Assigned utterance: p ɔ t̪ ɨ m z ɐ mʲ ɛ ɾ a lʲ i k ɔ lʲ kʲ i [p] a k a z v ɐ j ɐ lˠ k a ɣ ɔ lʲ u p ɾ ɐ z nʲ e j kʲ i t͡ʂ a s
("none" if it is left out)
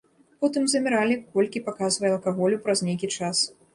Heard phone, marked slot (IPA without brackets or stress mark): p